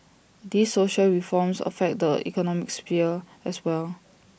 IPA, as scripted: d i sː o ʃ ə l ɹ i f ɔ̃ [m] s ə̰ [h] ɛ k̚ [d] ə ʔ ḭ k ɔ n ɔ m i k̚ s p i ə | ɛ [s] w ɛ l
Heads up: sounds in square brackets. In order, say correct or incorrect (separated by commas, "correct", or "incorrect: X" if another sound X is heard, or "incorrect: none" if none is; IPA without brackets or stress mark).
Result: correct, incorrect: f, correct, correct